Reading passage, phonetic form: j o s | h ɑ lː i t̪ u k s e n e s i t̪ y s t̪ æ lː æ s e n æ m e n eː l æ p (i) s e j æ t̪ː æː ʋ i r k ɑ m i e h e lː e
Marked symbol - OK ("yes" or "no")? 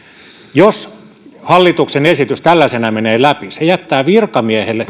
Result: yes